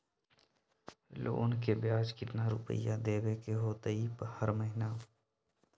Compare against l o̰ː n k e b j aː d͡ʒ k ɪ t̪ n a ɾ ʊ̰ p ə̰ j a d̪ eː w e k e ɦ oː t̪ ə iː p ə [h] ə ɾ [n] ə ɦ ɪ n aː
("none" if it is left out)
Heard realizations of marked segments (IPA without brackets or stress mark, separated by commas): h, m